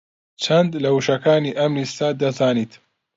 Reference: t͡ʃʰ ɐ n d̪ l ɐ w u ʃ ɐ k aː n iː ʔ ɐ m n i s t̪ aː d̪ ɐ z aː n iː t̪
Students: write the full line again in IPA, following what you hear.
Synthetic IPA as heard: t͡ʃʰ ɐ n d̪ l ɐ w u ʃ ɐ k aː n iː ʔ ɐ m n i s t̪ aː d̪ ɐ z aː n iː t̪